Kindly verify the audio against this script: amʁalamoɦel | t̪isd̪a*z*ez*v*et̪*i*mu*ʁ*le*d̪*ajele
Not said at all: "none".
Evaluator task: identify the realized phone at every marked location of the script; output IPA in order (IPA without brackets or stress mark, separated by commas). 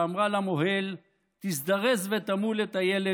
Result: ʁ, v, a, none, t̪